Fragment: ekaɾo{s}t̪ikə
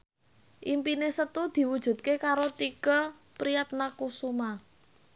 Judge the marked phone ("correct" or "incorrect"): incorrect